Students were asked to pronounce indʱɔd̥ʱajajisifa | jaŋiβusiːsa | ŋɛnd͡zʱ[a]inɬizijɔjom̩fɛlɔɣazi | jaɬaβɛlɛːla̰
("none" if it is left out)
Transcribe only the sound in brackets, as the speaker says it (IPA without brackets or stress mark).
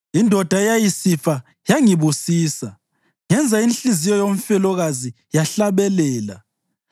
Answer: a